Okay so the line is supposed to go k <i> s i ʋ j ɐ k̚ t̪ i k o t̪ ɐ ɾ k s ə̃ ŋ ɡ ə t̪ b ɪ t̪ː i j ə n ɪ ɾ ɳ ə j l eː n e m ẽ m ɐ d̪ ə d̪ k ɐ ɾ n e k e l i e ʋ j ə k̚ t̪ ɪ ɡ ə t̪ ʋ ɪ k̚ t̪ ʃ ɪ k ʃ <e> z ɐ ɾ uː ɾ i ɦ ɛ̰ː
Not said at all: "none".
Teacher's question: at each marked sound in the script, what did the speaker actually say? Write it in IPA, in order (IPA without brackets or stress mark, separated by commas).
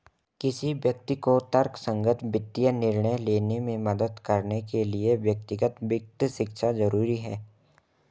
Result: ɪ, a